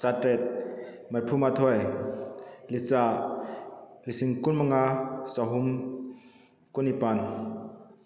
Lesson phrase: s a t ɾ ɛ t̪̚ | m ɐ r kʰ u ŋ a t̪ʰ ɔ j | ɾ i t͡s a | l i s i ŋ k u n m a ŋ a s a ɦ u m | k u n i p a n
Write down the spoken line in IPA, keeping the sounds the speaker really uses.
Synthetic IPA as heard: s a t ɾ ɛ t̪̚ | m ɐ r pʰ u m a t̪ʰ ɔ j | l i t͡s a | l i s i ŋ k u n m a ŋ a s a ɦ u m | k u n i p a n